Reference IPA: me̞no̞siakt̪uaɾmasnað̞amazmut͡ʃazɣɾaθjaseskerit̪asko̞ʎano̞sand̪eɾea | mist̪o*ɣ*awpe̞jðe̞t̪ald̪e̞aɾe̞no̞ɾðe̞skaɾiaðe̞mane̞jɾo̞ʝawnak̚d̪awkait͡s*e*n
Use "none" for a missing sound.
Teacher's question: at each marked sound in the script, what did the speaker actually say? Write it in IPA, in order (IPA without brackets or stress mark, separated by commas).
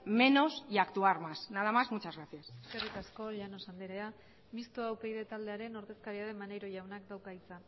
none, a